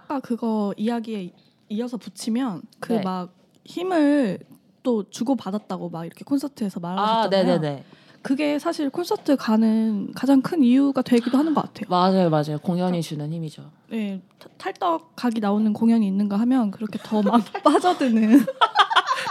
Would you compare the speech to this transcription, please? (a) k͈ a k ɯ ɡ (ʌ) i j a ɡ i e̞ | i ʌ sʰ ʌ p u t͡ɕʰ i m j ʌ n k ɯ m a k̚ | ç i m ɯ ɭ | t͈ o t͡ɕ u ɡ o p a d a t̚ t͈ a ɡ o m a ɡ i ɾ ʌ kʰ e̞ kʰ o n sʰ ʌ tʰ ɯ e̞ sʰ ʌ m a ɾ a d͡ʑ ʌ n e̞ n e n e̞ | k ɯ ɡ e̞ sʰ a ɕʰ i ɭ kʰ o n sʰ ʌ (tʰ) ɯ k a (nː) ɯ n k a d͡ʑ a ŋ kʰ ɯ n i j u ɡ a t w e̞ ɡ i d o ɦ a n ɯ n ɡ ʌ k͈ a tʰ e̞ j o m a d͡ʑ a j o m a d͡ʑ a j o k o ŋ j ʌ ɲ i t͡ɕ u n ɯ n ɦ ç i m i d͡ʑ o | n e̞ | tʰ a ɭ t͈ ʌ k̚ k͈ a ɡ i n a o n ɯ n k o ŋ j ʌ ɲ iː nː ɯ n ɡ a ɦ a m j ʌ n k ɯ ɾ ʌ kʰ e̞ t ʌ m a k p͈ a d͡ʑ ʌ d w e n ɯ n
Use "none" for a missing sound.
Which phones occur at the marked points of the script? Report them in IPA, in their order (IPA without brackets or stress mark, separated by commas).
a, ʌ, tʰ, n